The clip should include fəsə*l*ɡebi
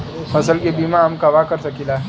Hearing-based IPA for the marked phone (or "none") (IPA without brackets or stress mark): l